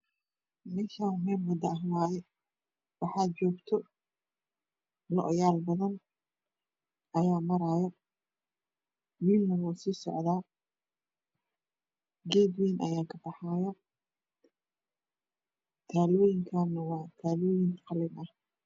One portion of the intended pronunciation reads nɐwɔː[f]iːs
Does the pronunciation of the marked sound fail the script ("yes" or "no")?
yes